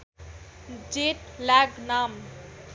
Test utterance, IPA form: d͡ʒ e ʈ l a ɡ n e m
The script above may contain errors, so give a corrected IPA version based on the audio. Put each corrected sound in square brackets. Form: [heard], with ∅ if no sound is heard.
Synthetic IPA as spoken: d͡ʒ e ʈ l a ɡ n [a] m